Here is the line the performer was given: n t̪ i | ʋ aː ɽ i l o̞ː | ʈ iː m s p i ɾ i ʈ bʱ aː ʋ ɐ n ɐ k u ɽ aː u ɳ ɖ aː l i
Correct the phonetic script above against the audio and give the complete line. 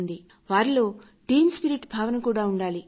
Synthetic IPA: n d̪ i | ʋ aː ɾ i l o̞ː | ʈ iː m s p i ɾ i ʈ bʱ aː ʋ ɐ n ɐ k uː ɽ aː u ɳ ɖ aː l i